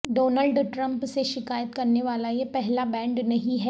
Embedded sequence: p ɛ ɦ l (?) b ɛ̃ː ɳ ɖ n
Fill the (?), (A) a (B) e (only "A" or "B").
A